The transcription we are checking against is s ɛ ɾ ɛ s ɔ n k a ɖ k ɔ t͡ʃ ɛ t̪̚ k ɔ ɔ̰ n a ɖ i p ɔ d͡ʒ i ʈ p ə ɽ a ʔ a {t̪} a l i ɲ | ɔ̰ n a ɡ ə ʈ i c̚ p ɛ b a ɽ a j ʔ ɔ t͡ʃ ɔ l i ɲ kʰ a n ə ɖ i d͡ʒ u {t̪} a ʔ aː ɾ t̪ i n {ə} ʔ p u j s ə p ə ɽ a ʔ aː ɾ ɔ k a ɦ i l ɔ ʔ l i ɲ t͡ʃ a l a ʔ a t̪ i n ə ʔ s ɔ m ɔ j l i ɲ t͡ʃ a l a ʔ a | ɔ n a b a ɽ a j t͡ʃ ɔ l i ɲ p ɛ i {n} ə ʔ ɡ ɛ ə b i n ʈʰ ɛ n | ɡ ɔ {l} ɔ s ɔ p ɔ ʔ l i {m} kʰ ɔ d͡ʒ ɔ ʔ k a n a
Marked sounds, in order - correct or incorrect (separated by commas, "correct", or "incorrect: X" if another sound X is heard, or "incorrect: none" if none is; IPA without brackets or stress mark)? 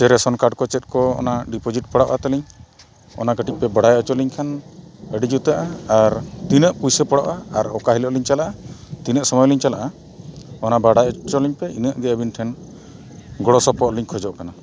correct, correct, correct, correct, incorrect: ɽ, incorrect: ɲ